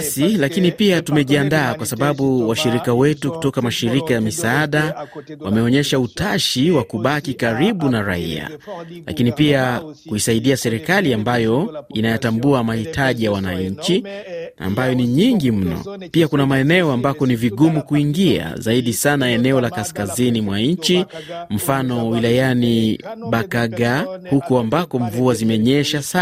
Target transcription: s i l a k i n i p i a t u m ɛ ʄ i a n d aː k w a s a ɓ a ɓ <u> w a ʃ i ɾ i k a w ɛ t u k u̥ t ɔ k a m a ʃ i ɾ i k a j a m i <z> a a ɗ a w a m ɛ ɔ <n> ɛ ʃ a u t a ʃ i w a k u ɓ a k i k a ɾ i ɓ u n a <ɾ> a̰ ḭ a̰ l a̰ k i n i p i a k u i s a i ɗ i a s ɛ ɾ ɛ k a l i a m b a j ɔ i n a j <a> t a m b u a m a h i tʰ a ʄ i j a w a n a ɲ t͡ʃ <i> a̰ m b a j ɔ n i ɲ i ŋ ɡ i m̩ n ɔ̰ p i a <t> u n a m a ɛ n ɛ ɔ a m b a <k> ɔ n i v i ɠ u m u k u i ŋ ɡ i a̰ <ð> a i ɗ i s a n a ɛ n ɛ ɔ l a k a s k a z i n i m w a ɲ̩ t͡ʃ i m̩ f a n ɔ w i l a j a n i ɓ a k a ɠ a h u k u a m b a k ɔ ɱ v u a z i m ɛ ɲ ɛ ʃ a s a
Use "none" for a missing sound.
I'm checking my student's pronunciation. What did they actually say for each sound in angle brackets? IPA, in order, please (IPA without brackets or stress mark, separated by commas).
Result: u, s, ɲ, ɾ, a, i, k, k, z